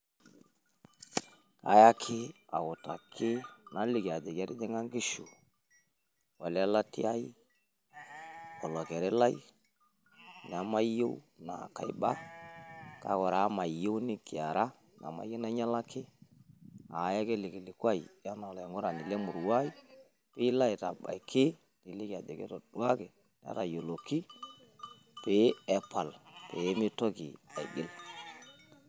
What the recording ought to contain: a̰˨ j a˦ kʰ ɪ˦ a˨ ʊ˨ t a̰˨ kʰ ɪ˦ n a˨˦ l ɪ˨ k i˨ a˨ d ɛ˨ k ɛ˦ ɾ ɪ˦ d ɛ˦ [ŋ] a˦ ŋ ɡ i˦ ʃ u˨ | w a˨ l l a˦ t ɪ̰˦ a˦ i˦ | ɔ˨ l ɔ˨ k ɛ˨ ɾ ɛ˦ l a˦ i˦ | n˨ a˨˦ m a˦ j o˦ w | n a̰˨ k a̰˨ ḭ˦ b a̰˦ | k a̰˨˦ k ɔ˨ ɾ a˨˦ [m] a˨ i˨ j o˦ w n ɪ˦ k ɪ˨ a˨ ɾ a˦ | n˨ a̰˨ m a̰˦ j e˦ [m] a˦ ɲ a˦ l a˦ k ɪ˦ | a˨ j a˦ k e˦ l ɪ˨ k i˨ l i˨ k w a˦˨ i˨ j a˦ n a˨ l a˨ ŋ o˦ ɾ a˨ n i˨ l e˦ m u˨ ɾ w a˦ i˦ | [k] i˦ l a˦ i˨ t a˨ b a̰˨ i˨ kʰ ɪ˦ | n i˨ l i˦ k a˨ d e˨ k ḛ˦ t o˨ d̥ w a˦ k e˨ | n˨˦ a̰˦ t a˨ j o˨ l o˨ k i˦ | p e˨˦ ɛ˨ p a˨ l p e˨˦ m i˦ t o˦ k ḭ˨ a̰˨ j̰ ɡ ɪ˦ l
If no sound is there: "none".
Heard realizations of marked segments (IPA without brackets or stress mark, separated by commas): ŋ, m, n, p